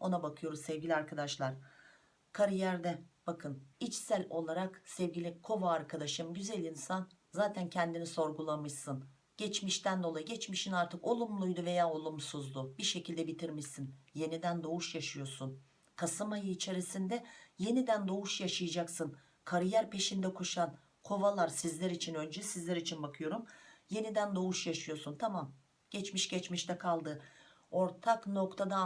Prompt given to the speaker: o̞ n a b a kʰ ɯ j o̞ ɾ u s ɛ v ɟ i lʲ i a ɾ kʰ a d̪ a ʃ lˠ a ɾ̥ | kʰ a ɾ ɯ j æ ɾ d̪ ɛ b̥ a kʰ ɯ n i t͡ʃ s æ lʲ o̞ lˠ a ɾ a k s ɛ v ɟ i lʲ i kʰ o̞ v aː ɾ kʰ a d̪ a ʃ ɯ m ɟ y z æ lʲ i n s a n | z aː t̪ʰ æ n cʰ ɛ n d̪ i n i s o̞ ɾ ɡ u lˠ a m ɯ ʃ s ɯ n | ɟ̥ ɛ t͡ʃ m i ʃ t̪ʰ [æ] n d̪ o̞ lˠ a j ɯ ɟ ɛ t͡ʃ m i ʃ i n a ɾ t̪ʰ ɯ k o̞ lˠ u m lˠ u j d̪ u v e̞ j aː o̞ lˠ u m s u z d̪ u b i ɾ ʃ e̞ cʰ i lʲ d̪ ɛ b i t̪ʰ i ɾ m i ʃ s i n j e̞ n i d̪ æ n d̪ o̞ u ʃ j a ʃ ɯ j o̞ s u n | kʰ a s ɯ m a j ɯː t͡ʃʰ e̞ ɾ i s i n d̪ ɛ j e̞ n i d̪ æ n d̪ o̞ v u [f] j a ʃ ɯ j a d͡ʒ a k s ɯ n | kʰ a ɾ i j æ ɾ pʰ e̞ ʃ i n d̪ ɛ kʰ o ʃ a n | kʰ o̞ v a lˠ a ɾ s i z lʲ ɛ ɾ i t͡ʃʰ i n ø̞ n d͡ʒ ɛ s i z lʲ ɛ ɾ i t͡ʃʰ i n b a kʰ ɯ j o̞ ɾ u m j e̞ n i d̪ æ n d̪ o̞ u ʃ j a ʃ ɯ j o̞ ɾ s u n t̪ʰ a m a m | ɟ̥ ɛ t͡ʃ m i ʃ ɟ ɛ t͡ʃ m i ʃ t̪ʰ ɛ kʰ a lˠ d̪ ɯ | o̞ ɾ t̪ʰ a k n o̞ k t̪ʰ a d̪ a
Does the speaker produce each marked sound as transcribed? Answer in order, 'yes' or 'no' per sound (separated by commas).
yes, no